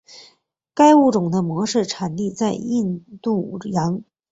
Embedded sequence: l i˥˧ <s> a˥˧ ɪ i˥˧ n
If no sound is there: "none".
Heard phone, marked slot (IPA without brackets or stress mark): t͡s